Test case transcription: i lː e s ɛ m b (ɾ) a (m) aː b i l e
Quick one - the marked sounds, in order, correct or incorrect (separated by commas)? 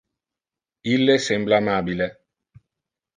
incorrect, correct